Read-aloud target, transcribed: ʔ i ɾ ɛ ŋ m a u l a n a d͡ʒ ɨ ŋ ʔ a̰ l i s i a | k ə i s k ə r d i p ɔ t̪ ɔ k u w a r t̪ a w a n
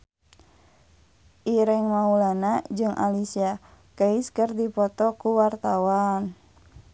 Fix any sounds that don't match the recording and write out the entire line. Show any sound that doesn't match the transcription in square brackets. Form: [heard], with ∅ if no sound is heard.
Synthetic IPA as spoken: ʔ i ɾ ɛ ŋ m a u l a n a d͡ʒ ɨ ŋ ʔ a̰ l i s i a | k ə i s k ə r d i p ɔ t̪ ɔ k u w a r t̪ a w a n